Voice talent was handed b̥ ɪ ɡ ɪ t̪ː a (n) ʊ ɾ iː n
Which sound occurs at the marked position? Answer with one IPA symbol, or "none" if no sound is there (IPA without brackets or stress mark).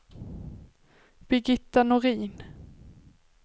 n